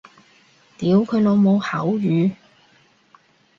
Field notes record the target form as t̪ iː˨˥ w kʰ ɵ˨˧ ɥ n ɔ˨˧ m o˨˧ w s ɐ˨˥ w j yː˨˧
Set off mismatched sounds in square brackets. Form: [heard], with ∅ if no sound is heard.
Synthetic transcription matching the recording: t̪ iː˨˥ w kʰ ɵ˨˧ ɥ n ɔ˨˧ m o˨˧ w [h] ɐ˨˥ w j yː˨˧